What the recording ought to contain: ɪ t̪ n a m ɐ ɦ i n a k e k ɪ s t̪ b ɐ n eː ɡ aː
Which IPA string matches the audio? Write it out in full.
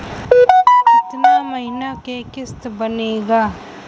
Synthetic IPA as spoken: ɪ t̪ n a m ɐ ɦ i n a k e k ɪ s t̪ b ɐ n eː ɡ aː